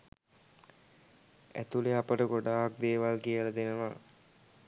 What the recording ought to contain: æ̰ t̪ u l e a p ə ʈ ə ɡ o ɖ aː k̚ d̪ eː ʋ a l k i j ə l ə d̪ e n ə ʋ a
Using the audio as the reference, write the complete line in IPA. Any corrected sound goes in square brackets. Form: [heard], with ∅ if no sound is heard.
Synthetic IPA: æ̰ t̪ u l e a p ə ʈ ə ɡ o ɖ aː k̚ d̪ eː ʋ a l k i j ə l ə d̪ e n ə ʋ a